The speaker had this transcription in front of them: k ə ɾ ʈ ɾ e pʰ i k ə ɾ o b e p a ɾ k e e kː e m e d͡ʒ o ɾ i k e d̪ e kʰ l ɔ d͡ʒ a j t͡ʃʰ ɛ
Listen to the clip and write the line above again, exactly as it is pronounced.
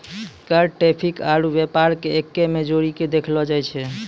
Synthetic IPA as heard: k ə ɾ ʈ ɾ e pʰ i k a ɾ u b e p a ɾ k e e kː e m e d͡ʒ o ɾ i k e d̪ e kʰ l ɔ d͡ʒ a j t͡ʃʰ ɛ